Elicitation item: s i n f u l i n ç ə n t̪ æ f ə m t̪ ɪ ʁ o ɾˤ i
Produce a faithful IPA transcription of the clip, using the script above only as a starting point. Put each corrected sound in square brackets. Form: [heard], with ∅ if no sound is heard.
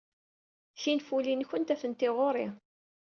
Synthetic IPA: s i n f u l i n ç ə n t̪ æ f ə [n] t̪ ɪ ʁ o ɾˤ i